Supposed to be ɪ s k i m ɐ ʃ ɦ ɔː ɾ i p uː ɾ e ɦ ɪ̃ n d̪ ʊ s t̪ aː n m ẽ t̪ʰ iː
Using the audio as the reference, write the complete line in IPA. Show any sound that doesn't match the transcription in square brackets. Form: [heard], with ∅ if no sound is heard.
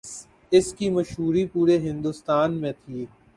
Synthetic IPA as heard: ɪ s k i m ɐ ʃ ɦ [uː] ɾ i p uː ɾ e ɦ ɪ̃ n d̪ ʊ s t̪ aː n m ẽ t̪ʰ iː